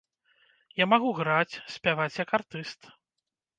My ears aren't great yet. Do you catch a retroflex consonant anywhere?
no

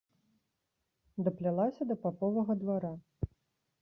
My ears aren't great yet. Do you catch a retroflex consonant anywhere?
no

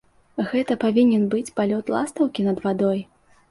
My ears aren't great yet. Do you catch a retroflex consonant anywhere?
no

